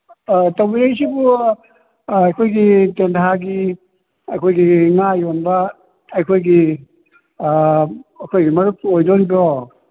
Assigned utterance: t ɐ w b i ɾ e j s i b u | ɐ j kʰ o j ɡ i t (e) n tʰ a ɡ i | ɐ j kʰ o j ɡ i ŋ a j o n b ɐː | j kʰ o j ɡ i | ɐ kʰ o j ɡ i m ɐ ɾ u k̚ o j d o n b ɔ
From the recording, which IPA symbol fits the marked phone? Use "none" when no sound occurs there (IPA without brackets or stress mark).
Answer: e